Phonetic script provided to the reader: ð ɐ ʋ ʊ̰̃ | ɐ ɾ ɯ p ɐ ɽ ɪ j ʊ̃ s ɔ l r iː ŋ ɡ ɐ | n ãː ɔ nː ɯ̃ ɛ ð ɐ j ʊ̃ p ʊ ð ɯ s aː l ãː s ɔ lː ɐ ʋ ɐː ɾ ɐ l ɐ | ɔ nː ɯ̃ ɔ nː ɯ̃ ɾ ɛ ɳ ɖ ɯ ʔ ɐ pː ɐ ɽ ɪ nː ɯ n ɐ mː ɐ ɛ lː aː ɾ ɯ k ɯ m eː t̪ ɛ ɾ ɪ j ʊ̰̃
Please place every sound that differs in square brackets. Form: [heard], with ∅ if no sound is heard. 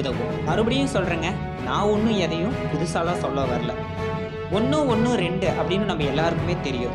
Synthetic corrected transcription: ð ɐ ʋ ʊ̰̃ | ɐ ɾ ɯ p ɐ ɽ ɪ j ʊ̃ s ɔ l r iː ŋ ɡ ɐ | n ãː ɔ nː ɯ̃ ɛ ð ɐ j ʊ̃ p ʊ ð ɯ s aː l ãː s ɔ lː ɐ ʋ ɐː ɾ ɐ l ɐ | ɔ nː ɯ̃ ɔ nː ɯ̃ ɾ ɛ ɳ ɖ ɯ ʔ ɐ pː ɐ ɽ ɪ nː ɯ n ɐ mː ɐ ɛ lː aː ɾ ɯ k ɯ m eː t̪ ɛ ɾ ɪ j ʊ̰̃